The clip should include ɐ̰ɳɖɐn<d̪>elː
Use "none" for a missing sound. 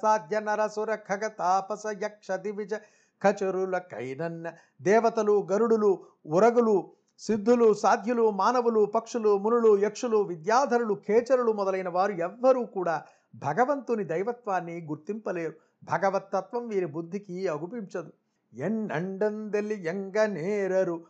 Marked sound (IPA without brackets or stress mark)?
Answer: d̪